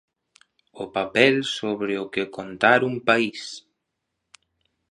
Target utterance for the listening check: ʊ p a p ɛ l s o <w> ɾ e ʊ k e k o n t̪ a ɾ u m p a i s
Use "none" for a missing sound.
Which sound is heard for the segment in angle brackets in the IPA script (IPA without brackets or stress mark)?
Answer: β